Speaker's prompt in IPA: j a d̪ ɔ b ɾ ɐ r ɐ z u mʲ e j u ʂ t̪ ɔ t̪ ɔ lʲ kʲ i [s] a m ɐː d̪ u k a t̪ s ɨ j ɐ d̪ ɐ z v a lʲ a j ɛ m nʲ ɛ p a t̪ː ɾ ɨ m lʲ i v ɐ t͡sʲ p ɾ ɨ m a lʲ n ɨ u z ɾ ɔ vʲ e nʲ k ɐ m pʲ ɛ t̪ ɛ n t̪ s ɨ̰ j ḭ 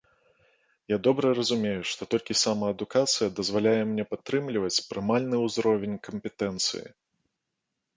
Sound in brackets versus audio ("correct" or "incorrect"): correct